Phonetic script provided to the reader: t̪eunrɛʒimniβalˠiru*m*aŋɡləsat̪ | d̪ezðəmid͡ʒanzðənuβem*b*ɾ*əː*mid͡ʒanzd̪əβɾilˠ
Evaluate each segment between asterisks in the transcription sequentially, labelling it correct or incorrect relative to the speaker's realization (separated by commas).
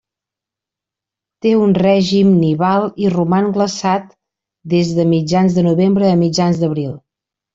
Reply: correct, correct, correct